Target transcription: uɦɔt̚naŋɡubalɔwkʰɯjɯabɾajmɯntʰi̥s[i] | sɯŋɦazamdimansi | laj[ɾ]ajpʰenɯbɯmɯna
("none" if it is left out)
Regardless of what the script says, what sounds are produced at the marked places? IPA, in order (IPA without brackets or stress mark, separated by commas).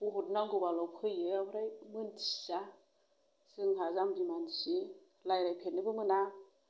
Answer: a, ɾ